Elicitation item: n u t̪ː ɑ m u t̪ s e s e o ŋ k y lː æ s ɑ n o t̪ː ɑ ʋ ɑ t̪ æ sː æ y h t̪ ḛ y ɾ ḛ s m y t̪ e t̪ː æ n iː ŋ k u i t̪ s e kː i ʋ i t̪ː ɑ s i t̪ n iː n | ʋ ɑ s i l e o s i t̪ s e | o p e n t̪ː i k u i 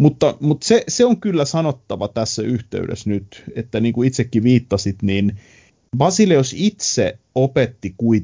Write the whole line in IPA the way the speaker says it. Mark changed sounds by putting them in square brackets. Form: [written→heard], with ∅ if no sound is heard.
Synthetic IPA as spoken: [n→m] u t̪ː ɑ m u t̪ s e s e o ŋ k y lː æ s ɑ n o t̪ː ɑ ʋ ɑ t̪ æ sː æ y h t̪ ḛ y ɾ ḛ s [m→n] y t̪ e t̪ː æ n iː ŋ k u i t̪ s e kː i ʋ [i→iː] t̪ː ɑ s i t̪ n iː n | ʋ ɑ s i l e o s i t̪ s e | o p e [n→∅] t̪ː i k u i